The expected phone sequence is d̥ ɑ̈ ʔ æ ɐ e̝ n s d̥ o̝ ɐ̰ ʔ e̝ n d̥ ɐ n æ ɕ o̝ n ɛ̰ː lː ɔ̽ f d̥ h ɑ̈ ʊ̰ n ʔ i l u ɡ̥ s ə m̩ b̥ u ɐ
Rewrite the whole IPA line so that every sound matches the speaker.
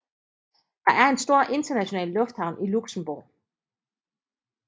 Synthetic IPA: d̥ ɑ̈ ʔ æ ɐ e̝ n s d̥ o̝ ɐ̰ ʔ e̝ n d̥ ɐ n æ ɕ o̝ n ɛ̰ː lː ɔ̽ f d̥ h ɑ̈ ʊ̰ n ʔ i l u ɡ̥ s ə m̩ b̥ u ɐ